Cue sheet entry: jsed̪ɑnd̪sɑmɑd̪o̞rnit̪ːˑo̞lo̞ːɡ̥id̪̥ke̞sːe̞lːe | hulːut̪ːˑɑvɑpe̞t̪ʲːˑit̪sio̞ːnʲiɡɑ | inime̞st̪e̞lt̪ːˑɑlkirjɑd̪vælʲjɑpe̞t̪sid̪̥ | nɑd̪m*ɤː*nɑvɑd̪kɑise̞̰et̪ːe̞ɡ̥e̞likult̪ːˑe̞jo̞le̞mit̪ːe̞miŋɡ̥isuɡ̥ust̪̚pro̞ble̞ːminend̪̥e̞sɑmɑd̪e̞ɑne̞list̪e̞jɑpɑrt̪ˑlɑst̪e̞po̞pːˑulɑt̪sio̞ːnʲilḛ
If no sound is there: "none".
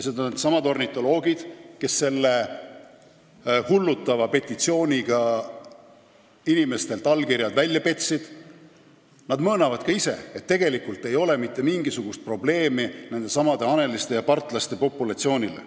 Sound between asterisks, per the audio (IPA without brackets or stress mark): ɤː